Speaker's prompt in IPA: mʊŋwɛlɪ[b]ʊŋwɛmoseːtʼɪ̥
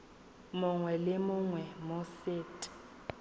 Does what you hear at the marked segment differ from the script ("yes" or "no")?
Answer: yes